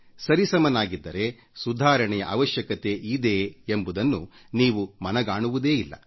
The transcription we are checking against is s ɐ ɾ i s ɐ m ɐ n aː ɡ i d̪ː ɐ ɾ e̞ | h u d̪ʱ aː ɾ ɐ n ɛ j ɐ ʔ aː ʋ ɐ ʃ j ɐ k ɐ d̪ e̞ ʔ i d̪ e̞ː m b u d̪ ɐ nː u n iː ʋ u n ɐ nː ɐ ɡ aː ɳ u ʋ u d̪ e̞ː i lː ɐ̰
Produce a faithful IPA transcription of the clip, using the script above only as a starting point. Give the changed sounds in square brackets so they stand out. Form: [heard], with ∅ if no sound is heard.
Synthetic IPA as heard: s ɐ ɾ i s ɐ m ɐ n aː ɡ i d̪ː ɐ ɾ e̞ | [s] u d̪ʱ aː ɾ ɐ [ɳ] ɛ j ɐ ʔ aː ʋ ɐ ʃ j ɐ k ɐ [t̪] e̞ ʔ i d̪ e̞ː m b u d̪ ɐ nː u n iː ʋ u [m] ɐ [n] ɐ ɡ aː ɳ u ʋ u d̪ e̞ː i lː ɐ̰